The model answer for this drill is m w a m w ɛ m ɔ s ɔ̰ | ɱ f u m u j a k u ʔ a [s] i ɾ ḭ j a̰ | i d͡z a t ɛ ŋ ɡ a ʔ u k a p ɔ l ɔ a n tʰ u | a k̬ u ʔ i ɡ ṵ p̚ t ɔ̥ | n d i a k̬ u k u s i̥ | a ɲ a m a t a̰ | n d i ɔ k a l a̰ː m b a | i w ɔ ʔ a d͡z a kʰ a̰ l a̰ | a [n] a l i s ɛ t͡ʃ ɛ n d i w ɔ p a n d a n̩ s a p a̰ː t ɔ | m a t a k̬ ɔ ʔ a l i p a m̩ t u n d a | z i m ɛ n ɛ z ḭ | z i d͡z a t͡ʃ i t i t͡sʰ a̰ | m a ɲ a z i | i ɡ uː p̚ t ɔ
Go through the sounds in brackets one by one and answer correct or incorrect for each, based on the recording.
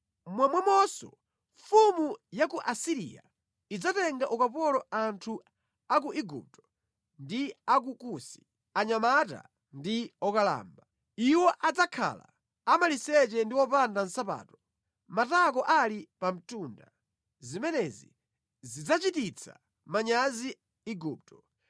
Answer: correct, incorrect: m

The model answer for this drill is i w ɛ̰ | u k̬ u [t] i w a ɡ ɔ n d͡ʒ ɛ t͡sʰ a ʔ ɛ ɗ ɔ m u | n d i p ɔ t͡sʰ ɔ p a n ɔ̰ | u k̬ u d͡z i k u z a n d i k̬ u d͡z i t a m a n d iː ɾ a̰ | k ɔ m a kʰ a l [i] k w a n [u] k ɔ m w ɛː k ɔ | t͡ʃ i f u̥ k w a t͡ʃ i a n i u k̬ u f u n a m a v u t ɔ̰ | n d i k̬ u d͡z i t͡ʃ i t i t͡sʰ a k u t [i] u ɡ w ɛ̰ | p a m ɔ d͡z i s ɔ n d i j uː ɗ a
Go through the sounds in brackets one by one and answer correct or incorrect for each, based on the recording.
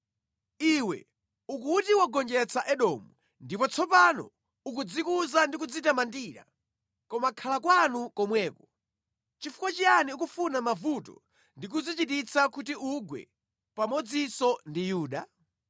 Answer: correct, incorrect: a, correct, correct

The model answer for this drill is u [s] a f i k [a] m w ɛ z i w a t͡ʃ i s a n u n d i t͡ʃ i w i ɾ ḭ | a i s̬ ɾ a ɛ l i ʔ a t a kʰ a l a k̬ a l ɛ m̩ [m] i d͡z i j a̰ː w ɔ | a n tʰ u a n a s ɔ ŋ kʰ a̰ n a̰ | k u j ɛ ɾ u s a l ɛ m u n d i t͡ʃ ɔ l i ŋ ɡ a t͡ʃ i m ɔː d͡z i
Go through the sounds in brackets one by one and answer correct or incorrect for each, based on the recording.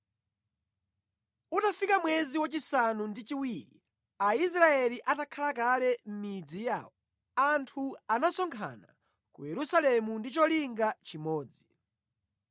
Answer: incorrect: t, correct, correct

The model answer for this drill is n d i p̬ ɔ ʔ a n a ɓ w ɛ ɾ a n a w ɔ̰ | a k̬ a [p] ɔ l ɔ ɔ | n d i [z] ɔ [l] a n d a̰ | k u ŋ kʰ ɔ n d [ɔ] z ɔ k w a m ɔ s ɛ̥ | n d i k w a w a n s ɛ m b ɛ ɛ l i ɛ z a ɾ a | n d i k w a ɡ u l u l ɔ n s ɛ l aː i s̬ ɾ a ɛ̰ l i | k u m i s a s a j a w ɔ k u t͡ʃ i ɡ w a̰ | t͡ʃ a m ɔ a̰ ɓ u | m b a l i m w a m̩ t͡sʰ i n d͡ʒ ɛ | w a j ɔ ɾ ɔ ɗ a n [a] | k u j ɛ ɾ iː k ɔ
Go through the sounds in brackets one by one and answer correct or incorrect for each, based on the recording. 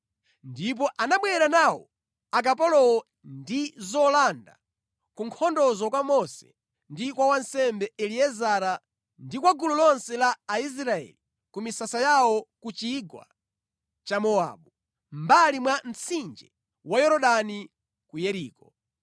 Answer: correct, correct, correct, correct, incorrect: i

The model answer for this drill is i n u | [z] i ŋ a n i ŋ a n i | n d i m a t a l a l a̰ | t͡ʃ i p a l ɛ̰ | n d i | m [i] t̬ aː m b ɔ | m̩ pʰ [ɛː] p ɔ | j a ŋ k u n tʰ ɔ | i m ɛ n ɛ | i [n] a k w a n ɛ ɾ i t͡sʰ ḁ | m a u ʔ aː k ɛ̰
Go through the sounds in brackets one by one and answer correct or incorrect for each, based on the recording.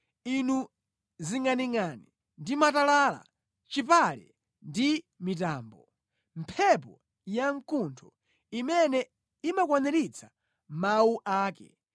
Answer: correct, correct, incorrect: ɛ, incorrect: m

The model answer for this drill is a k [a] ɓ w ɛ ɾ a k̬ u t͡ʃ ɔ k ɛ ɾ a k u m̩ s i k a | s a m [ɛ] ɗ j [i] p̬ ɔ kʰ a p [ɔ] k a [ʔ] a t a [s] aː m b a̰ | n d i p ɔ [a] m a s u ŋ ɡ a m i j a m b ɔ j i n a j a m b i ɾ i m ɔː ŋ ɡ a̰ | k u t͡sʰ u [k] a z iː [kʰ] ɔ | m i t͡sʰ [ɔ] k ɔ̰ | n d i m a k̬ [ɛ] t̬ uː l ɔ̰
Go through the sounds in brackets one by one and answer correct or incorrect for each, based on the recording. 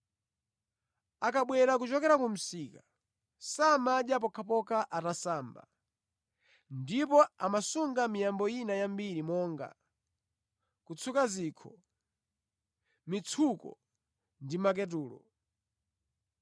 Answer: correct, incorrect: a, incorrect: a, correct, correct, correct, correct, correct, correct, incorrect: u, correct

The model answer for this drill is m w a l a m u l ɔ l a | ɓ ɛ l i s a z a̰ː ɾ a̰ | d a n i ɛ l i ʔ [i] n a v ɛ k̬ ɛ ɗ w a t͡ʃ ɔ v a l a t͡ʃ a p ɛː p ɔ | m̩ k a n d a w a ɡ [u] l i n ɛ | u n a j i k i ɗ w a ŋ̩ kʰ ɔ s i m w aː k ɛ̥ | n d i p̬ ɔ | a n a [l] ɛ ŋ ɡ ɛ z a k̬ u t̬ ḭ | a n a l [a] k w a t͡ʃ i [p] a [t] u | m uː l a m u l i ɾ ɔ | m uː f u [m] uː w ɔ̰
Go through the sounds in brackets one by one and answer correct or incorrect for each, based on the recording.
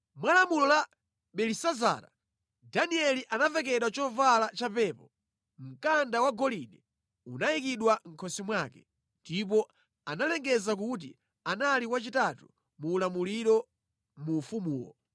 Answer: incorrect: a, incorrect: ɔ, correct, incorrect: i, incorrect: t, correct, correct

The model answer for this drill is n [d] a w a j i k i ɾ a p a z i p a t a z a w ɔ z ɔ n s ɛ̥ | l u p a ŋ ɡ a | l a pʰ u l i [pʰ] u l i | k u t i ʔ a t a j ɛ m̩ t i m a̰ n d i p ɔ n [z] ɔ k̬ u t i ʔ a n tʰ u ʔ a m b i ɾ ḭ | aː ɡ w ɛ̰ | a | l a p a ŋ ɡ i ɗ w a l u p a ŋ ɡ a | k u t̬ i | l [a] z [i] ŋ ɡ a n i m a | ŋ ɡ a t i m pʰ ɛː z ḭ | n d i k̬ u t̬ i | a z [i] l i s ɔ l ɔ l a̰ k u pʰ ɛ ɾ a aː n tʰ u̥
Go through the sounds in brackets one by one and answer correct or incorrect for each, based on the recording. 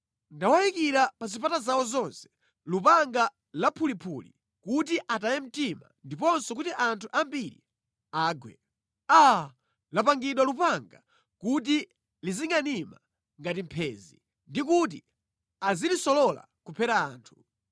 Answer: correct, correct, incorrect: s, incorrect: i, correct, correct

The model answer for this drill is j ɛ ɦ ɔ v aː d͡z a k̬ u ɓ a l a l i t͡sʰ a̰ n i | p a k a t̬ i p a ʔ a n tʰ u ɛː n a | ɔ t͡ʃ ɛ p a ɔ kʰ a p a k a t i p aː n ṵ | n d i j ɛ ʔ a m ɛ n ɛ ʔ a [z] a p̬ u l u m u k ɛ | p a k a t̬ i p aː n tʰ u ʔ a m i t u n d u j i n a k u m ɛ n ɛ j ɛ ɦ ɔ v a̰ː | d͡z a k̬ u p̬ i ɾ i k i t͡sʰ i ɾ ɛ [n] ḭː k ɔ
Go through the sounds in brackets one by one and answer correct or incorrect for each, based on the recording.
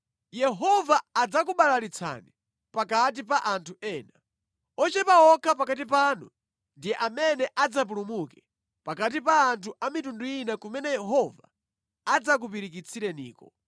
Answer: incorrect: d͡z, correct

